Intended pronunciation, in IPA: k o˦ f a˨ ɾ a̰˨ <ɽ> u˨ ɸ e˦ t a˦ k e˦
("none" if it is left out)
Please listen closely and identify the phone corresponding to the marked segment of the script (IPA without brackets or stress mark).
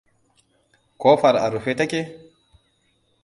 ɾ